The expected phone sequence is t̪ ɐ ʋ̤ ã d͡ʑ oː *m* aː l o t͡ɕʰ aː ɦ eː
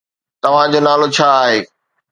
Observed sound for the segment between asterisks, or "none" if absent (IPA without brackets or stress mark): n